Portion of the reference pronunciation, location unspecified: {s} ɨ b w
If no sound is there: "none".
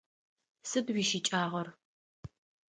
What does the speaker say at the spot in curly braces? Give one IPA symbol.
s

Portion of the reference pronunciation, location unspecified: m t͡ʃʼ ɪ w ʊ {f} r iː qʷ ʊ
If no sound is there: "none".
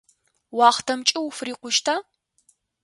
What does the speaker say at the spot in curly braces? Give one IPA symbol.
f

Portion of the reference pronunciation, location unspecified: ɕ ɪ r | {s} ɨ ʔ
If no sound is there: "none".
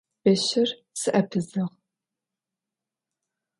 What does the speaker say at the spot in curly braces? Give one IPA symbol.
s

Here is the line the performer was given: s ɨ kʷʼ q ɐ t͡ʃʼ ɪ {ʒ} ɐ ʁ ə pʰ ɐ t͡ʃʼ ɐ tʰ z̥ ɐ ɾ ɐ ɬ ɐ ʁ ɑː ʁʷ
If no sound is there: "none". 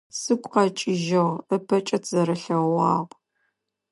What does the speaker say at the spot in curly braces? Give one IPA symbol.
ʒ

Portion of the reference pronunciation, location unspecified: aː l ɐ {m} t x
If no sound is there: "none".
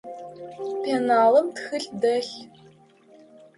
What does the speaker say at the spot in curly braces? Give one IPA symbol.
m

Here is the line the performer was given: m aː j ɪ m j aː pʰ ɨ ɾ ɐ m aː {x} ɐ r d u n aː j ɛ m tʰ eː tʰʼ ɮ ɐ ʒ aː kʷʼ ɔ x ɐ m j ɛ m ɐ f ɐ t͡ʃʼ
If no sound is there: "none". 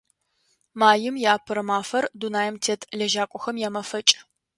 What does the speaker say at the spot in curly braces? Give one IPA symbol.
f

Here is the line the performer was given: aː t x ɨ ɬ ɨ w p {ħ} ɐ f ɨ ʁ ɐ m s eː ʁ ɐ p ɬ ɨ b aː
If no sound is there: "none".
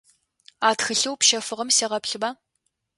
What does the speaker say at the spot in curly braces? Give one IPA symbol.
ʃ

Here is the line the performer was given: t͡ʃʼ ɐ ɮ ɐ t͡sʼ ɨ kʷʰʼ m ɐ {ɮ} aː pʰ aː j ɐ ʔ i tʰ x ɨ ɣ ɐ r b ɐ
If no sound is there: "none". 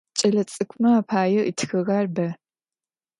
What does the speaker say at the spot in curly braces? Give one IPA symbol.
none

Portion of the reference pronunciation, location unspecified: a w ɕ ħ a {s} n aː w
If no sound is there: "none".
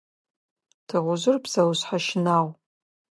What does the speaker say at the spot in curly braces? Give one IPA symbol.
ʃ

